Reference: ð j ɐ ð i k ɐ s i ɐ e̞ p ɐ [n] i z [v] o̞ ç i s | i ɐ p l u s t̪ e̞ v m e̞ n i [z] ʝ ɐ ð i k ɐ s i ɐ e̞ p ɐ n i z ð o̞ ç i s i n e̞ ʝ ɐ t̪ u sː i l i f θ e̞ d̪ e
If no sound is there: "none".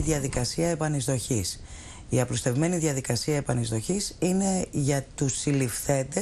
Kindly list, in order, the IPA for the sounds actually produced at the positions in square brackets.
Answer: n, ð, ð

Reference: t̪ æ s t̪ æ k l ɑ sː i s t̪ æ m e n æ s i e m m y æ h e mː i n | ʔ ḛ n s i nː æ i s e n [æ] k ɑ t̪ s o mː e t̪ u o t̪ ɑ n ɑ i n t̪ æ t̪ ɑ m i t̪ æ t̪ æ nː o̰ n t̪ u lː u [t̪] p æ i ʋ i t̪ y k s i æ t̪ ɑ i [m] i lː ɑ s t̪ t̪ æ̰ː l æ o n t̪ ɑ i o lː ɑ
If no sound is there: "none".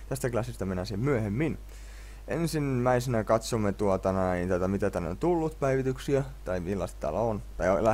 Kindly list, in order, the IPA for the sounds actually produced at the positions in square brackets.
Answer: æ, t̪, m

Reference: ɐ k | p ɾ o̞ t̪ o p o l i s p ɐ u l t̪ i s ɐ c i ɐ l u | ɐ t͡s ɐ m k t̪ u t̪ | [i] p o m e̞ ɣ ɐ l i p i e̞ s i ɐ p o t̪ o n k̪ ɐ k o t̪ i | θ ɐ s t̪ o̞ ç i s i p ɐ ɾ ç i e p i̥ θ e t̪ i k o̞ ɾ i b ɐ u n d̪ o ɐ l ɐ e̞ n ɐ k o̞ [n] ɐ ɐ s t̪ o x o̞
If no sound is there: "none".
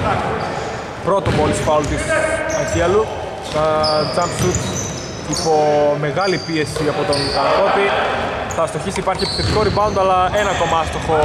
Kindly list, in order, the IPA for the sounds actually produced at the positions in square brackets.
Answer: i, m

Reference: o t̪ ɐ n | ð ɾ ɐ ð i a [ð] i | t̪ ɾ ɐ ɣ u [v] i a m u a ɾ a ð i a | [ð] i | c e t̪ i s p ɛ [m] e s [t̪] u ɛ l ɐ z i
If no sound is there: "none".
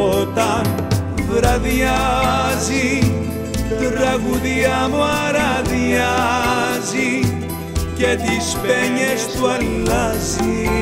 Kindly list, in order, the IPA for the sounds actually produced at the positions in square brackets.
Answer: z, ð, z, ɲ, t̪

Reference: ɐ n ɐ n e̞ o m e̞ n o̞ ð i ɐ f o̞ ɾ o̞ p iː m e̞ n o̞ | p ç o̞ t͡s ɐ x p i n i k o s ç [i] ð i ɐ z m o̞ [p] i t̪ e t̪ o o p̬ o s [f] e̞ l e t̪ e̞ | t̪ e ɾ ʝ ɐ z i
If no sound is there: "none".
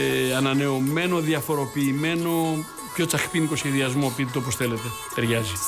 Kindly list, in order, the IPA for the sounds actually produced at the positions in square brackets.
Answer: e, p, θ

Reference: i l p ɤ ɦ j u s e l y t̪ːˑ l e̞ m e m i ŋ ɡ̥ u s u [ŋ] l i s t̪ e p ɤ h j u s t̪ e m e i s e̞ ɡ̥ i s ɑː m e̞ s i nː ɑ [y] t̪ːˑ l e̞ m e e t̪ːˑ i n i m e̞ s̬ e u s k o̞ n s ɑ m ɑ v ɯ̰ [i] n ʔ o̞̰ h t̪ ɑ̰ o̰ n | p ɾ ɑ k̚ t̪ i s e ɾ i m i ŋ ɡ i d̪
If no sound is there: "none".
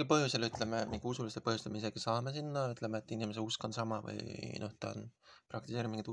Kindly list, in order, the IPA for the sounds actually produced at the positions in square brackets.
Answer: none, y, j

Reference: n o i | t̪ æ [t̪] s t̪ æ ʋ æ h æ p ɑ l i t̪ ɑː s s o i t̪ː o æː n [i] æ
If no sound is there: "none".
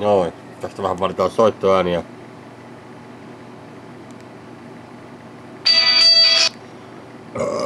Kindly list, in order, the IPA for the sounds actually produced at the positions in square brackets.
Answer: none, i

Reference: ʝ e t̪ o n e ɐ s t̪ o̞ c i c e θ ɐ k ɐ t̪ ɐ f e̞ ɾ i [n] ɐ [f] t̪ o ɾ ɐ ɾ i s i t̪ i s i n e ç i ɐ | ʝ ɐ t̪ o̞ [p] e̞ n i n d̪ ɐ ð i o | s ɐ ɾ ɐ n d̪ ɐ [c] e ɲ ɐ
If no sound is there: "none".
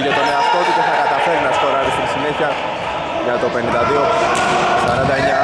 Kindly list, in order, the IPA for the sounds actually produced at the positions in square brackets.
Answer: n, s, p, none

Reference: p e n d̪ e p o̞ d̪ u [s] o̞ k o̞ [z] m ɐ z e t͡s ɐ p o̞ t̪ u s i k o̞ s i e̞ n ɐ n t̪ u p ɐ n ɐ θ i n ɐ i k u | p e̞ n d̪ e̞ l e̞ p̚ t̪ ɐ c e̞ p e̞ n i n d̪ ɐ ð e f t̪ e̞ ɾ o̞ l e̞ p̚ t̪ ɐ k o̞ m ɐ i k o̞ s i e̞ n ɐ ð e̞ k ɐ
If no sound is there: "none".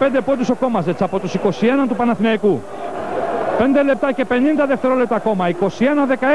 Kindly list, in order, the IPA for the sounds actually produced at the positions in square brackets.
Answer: s, none

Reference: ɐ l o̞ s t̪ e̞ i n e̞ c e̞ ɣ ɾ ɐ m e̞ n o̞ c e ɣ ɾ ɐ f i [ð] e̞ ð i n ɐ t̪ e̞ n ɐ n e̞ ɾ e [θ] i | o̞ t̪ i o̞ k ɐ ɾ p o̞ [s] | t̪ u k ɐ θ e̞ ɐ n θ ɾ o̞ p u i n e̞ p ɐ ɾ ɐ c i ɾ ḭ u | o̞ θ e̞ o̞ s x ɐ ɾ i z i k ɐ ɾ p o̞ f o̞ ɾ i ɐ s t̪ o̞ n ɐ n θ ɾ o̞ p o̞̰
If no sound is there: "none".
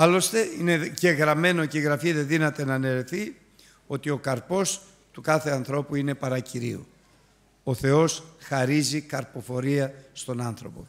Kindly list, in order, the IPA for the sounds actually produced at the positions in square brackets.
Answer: ð, θ, s

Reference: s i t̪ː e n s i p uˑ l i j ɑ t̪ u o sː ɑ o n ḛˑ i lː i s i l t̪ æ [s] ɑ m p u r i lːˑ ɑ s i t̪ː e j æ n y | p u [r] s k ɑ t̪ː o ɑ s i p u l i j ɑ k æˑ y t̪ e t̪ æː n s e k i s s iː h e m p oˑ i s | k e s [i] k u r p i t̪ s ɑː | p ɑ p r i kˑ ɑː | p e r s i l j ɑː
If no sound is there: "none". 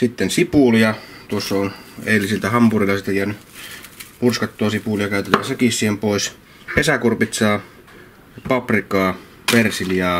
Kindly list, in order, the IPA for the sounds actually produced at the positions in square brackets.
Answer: h, r, æ

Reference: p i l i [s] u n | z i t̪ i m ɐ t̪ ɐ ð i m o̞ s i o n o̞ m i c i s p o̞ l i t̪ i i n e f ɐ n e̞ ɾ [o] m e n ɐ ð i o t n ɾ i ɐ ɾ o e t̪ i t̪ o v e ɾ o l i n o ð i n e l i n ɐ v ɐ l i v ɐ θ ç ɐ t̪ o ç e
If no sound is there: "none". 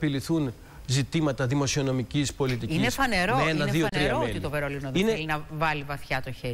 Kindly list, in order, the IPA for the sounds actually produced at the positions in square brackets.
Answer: θ, o

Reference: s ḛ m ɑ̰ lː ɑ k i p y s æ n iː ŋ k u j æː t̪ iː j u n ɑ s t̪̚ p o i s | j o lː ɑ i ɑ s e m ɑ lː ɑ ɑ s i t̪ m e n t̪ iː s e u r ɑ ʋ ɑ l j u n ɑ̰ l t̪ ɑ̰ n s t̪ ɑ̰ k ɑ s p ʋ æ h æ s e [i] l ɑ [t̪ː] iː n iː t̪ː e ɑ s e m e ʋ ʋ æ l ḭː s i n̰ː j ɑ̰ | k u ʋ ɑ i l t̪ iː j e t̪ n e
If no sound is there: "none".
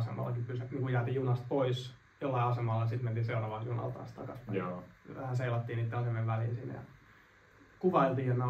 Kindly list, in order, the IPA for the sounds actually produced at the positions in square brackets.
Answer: i, t̪ː

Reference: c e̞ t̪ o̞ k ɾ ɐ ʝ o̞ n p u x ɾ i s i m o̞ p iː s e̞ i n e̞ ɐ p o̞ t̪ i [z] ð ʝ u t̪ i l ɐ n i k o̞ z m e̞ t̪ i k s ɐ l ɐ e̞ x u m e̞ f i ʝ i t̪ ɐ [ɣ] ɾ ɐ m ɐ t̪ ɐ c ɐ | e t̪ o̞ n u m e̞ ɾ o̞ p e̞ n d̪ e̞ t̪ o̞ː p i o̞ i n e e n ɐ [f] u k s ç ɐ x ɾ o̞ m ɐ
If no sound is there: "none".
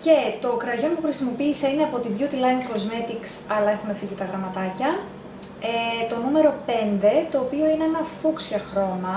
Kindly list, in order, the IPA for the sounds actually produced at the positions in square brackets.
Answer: none, ɣ, f

